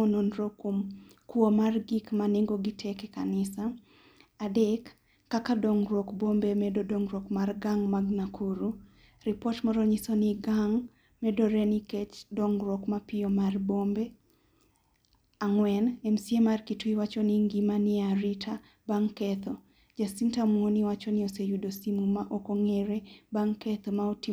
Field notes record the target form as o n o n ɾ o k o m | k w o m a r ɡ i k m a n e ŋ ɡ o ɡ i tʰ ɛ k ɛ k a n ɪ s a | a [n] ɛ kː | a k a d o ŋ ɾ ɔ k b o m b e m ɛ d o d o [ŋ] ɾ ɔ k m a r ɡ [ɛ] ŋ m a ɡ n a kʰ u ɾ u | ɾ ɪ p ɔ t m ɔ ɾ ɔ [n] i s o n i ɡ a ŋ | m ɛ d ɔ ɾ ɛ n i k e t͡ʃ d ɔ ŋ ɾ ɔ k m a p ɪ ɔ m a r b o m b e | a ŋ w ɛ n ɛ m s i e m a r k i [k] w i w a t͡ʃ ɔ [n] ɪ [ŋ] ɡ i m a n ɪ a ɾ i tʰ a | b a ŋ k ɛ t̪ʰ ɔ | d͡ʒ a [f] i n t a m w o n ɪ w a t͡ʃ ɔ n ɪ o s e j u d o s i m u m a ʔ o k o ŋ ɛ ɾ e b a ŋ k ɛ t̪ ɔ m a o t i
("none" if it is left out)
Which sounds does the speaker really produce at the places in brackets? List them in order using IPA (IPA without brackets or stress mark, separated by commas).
d, ŋ, a, ɲ, t, n, ŋ, s